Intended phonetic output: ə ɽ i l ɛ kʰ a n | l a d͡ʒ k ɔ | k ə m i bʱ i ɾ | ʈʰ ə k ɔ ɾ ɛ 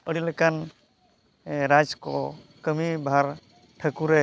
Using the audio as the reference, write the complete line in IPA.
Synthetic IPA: ə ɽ i l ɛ k a n | ɾ a d͡ʒ k ɔ | k ə m i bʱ a ɾ | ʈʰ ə k u ɾ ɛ